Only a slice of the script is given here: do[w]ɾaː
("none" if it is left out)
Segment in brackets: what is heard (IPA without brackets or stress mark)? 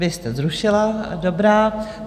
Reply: b